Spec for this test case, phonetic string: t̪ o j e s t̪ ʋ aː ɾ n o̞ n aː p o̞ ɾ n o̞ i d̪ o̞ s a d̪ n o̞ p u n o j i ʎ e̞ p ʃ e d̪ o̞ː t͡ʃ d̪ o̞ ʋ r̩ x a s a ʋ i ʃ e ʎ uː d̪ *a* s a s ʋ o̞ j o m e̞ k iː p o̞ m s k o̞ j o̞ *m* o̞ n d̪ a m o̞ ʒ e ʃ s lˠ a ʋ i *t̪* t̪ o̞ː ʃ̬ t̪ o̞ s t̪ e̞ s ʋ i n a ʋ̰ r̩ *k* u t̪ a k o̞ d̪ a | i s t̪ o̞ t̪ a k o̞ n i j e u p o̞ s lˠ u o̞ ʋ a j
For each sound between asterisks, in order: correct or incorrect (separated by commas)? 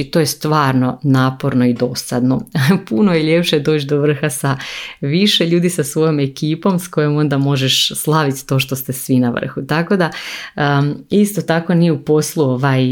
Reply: incorrect, correct, correct, incorrect